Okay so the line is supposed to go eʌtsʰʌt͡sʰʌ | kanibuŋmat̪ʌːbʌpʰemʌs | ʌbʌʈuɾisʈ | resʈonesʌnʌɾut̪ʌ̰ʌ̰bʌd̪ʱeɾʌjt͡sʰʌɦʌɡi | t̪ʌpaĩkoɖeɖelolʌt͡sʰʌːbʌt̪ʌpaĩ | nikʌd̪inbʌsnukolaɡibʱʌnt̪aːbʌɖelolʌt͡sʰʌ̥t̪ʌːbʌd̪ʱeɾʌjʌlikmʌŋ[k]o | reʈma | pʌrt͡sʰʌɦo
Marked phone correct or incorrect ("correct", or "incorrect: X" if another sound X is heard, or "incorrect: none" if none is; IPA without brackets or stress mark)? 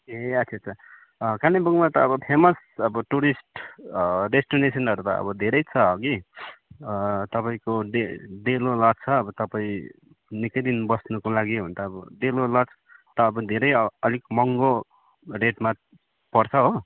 incorrect: ɡ